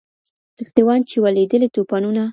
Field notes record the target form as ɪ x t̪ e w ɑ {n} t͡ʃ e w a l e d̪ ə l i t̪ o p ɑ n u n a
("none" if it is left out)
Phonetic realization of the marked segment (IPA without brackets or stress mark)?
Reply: n